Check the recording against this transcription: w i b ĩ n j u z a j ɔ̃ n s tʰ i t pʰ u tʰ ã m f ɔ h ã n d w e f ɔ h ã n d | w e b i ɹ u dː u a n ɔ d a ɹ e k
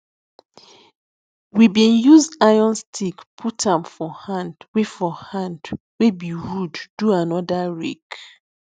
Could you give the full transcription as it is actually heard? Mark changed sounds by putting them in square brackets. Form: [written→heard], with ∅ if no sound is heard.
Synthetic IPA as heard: w i b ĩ n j u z a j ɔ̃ n s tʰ i [t→k] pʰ u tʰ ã m f ɔ h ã n d w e f ɔ h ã n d | w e b i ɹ u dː u a n ɔ d a ɹ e k